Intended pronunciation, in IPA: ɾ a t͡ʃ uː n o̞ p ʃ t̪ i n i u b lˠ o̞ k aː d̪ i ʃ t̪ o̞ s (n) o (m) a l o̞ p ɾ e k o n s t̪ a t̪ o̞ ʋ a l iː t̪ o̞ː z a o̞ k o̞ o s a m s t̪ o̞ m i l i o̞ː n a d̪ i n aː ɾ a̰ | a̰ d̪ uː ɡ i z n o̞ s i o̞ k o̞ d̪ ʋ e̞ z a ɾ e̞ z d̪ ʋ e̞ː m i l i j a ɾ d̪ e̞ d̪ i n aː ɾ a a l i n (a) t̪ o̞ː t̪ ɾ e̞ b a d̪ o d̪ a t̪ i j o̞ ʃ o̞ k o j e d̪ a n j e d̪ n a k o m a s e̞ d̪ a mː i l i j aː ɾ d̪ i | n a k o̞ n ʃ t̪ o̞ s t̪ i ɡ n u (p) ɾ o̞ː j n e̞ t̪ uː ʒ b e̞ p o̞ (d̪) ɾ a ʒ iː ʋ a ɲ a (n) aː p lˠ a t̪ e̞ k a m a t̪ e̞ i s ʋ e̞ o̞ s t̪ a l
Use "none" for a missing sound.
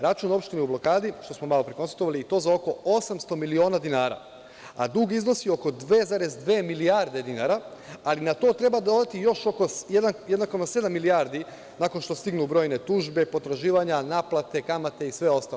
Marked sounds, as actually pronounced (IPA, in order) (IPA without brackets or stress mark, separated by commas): m, m, a, b, t̪, n